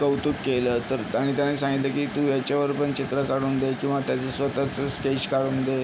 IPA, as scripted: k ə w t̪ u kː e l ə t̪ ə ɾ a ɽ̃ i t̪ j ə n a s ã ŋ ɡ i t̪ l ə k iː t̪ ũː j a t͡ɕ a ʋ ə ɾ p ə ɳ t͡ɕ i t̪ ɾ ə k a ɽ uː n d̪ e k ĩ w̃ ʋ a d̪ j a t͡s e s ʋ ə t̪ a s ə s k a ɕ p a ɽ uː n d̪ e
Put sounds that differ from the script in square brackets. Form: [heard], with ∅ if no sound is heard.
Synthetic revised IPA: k ə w t̪ u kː e l ə t̪ ə ɾ a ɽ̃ i t̪ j [a] n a s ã ŋ ɡ i t̪ l ə k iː t̪ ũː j a t͡ɕ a ʋ ə ɾ p ə ɳ t͡ɕ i t̪ ɾ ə k a ɽ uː n d̪ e k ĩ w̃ ʋ a [t̪] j a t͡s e s ʋ ə t̪ a [t͡s] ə s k [e] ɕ [k] a ɽ uː n d̪ e